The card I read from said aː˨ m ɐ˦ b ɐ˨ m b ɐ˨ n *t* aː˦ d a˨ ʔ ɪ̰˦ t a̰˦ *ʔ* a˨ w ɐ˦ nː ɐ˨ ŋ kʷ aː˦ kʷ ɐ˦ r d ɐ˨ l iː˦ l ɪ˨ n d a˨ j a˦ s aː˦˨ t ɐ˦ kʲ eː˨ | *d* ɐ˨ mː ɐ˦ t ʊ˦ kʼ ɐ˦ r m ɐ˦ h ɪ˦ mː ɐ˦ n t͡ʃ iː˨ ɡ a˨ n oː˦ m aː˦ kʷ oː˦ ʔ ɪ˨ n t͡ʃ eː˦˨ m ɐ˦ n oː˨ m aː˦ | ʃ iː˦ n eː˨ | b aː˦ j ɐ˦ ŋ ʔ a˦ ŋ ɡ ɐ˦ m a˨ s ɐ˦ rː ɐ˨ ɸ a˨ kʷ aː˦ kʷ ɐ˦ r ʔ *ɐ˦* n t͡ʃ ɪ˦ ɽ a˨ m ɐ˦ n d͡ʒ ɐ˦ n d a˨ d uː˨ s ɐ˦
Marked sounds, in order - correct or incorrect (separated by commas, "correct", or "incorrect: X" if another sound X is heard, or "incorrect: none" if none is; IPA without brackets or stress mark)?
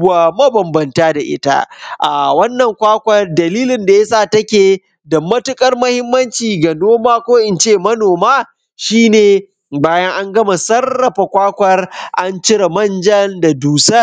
correct, correct, correct, incorrect: a˦